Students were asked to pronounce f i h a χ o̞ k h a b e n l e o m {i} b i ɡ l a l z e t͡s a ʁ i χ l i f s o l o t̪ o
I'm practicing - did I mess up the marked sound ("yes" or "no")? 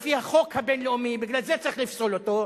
no